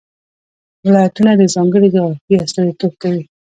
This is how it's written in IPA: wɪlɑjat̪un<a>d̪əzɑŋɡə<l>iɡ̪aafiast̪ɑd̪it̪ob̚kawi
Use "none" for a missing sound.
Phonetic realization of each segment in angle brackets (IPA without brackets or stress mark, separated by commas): a, ɽ